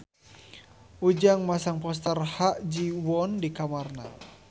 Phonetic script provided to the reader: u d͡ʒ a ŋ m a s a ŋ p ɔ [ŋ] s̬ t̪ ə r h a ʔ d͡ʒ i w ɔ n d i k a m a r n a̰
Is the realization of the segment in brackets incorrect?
yes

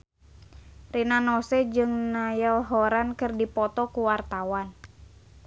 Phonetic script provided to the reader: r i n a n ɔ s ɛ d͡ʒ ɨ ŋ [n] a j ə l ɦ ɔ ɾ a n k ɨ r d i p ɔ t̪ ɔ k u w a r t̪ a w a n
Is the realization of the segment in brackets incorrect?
no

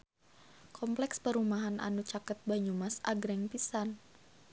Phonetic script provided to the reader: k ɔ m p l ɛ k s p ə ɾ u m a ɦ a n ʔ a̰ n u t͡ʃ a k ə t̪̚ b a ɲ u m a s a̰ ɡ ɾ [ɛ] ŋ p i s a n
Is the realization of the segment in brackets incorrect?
no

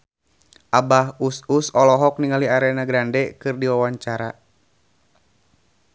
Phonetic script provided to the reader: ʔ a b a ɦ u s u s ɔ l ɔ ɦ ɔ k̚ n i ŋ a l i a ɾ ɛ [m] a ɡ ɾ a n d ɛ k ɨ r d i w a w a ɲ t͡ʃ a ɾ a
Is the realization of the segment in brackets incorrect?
yes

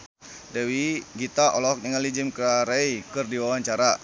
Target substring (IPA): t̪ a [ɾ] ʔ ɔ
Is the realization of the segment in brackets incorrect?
yes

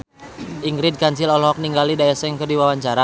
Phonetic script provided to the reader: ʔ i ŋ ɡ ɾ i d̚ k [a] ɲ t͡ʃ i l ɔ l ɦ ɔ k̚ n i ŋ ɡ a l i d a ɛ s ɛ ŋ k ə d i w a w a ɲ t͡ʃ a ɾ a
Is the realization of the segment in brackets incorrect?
no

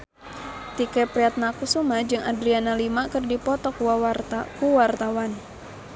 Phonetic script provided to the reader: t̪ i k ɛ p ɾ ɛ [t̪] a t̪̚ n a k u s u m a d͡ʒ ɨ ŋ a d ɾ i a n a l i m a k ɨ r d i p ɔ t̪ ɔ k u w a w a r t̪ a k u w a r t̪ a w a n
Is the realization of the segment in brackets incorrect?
yes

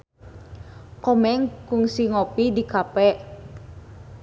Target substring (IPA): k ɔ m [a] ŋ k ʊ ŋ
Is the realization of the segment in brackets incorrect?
yes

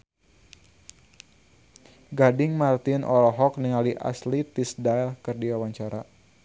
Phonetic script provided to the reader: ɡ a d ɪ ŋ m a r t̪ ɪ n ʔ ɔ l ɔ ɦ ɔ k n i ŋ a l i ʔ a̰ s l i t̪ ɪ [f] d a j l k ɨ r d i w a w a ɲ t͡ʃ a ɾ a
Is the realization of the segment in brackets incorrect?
yes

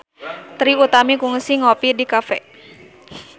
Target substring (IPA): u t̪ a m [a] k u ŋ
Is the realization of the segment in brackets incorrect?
yes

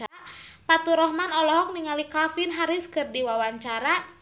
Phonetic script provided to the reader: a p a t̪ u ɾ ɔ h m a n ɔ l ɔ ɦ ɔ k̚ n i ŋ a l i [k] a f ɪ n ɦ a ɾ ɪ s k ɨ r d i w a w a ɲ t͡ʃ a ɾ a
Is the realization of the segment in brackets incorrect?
no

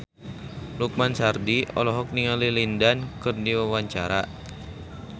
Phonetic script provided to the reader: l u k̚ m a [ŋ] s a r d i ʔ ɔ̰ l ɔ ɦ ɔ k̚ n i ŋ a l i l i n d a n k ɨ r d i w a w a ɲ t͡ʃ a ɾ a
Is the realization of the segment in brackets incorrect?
yes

